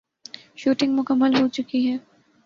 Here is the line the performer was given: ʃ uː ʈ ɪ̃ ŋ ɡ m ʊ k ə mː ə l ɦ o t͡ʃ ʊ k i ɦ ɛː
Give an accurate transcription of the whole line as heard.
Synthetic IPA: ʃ uː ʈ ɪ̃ ŋ ɡ m ʊ k ə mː ə l ɦ o t͡ʃ ʊ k i ɦ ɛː